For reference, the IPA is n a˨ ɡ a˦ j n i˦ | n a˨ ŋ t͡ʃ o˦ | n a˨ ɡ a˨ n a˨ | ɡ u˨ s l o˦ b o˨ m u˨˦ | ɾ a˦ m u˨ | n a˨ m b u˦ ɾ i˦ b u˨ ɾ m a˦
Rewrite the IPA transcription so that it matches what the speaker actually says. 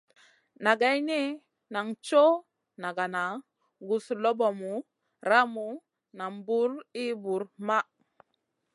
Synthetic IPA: n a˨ ɡ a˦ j n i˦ | n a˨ ŋ t͡ʃ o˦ | n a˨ ɡ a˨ n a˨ | ɡ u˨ s l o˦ b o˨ m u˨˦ | ɾ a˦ m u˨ | n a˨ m b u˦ ɾ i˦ b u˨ ɾ m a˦